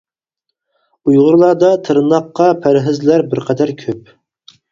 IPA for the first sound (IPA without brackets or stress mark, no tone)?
u